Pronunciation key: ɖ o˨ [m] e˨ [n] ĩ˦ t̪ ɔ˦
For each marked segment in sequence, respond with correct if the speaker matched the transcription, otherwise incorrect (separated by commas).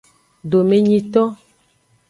correct, incorrect